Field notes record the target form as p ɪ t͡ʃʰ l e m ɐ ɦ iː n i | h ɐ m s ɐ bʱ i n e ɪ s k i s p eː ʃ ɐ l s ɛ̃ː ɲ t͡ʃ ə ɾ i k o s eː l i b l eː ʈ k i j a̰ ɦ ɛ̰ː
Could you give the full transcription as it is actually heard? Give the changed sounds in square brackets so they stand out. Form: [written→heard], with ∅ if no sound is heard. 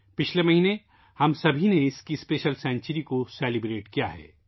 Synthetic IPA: p ɪ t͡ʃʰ l e m ɐ ɦ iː n [i→e] | h ɐ m s ɐ bʱ i n e ɪ s k i s p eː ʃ [ɐ→ə] l s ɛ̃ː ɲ t͡ʃ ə ɾ i k o s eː l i b [l→ɾ] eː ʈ k i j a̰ ɦ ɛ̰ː